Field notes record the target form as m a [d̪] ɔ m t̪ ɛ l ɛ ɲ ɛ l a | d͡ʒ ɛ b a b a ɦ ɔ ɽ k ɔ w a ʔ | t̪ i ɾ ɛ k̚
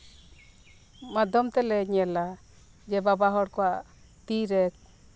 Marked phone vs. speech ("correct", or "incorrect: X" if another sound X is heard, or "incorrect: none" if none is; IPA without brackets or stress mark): correct